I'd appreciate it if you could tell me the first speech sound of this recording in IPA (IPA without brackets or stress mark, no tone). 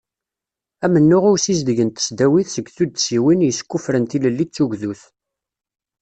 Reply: æ